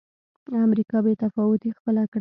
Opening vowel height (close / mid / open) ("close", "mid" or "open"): open